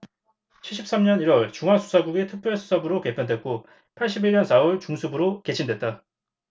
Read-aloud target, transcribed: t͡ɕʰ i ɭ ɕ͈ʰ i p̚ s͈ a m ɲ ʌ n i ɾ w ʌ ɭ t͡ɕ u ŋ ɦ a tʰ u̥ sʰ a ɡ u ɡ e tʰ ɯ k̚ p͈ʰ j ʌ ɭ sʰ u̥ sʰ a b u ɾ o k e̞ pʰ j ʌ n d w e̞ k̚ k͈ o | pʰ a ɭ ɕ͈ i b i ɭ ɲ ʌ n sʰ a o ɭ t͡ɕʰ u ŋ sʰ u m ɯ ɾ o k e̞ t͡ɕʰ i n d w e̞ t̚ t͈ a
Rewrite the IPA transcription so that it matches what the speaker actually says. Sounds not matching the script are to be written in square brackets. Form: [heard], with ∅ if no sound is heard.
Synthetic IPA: t͡ɕʰ i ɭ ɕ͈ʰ i p̚ s͈ a m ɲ ʌ n i ɾ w ʌ ɭ t͡ɕ u ŋ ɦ a [sʰ] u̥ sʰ a ɡ u ɡ e tʰ ɯ k̚ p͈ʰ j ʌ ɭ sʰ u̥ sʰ a b [ɯ] ɾ o k e̞ pʰ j ʌ n d w e̞ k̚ k͈ o | pʰ a ɭ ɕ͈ i b i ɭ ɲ ʌ n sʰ a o ɭ [t͡ɕ] u ŋ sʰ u [b] ɯ ɾ o k e̞ t͡ɕʰ i n d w e̞ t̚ t͈ a